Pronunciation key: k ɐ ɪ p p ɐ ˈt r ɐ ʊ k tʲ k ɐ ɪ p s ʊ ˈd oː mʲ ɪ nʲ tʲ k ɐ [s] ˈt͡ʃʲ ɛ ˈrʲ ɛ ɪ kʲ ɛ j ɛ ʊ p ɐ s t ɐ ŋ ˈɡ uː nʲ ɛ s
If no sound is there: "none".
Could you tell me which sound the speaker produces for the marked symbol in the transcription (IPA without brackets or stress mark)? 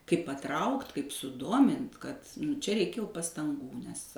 t